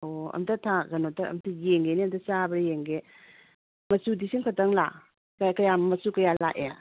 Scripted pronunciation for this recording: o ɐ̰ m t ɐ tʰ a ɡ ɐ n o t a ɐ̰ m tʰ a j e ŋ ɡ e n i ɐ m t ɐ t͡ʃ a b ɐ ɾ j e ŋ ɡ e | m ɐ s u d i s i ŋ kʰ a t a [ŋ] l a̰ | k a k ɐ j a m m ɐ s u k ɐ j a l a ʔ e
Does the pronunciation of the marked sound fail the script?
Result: no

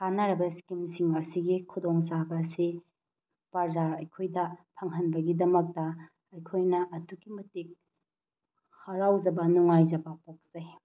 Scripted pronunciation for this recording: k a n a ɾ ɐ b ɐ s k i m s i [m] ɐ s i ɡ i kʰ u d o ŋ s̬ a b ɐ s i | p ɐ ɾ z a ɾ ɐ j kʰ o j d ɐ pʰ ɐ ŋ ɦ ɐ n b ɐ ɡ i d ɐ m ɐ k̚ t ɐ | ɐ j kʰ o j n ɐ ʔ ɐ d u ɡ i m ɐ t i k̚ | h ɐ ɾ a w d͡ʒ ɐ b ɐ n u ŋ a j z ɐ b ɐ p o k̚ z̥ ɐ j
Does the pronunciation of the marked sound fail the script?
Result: yes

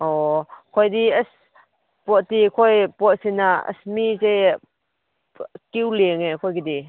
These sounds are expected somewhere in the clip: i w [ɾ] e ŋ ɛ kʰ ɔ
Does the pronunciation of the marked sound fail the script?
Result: yes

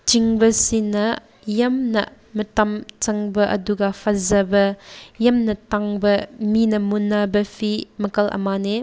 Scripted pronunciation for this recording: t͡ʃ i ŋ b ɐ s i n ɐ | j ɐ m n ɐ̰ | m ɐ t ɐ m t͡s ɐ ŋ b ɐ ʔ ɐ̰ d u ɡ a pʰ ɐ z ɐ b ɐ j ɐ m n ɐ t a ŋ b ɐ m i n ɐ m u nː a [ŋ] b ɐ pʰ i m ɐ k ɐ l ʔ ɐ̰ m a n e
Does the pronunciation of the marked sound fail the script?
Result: yes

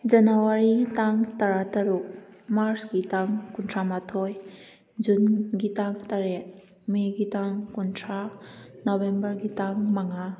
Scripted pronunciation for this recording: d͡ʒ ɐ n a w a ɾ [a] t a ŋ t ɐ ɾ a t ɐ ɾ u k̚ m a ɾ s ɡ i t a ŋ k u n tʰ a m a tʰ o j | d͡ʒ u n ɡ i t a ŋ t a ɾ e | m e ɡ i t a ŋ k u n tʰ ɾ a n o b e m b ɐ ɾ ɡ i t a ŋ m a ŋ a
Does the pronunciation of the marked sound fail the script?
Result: yes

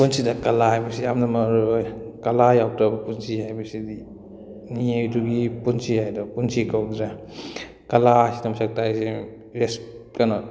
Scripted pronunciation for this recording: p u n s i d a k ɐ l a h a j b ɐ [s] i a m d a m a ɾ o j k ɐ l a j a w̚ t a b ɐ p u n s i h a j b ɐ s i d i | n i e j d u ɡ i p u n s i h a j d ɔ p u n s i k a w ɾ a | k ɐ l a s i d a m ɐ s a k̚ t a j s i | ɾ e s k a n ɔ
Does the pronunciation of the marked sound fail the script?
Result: no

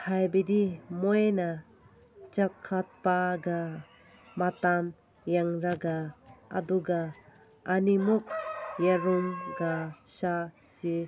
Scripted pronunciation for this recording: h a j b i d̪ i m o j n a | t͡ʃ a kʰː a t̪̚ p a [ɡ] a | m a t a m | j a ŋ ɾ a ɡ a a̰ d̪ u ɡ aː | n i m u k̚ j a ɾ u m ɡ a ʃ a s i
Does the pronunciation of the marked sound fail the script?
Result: no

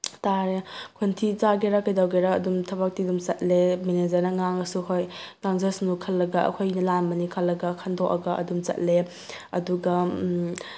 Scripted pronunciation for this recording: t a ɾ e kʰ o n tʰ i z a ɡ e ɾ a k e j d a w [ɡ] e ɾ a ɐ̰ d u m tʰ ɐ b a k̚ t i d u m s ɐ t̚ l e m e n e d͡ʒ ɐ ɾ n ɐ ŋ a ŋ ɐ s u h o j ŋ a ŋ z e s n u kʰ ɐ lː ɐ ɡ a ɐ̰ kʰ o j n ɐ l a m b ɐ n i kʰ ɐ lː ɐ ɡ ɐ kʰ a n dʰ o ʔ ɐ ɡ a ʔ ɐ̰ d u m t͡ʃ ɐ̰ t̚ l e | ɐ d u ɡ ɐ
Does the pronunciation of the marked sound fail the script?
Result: no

